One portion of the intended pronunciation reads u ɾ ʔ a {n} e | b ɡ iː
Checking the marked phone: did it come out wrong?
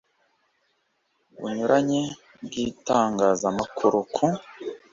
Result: yes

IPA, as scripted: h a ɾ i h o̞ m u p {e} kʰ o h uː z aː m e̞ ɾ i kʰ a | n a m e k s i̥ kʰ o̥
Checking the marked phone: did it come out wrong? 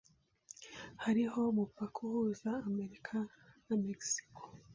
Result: yes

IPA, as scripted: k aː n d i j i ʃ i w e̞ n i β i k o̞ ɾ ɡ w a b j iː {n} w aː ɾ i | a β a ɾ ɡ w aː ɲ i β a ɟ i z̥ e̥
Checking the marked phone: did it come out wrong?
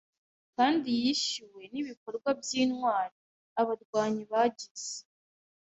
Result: no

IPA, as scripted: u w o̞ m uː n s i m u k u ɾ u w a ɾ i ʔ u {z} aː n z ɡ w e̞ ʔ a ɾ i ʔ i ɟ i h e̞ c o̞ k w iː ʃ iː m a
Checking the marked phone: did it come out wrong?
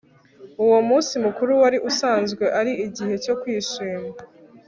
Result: yes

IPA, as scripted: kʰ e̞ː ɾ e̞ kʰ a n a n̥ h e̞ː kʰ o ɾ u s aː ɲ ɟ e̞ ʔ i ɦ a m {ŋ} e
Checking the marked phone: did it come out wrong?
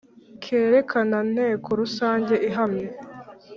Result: yes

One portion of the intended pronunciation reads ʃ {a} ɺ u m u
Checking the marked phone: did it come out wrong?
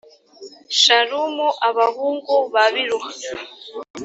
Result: no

